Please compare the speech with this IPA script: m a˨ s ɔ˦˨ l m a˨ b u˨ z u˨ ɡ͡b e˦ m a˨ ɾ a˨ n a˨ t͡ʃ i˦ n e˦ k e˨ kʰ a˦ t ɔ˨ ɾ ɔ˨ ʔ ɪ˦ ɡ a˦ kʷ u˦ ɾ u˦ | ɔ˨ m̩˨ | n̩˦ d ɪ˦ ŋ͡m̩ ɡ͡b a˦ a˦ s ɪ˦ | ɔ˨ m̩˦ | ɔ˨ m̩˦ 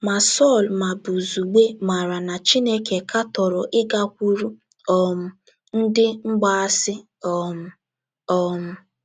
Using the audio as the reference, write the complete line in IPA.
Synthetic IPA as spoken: m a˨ s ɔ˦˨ l m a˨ b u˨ z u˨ ɡ͡b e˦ m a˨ ɾ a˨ n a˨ t͡ʃ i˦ n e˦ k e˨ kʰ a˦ t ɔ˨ ɾ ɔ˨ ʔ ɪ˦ ɡ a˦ kʷ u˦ ɾ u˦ | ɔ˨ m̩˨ | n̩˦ d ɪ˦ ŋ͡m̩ ɡ͡b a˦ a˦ s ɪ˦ | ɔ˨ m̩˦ | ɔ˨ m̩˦